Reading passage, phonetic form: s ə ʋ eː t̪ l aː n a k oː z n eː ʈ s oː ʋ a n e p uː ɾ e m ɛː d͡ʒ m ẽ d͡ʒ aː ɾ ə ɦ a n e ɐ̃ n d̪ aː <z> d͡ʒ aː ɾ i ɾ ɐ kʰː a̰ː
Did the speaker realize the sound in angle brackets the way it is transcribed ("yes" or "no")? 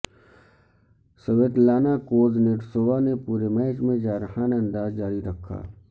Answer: yes